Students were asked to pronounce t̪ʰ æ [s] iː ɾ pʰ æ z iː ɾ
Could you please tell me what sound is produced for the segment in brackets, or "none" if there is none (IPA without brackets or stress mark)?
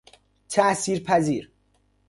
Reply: s